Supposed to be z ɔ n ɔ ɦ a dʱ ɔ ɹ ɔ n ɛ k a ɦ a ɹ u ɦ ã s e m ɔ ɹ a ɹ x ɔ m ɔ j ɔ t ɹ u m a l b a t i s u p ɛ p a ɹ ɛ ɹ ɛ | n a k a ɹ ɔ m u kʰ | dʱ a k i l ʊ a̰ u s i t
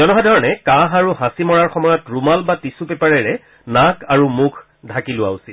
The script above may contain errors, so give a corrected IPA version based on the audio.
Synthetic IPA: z ɔ n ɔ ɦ a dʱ ɔ ɹ ɔ n ɛ k a ɦ a ɹ u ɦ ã s i m ɔ ɹ a ɹ x ɔ m ɔ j ɔ t ɹ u m a l b a t i s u p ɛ p a ɹ ɛ ɹ ɛ | n a k a ɹ u m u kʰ | dʱ a k i l ʊ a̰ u s i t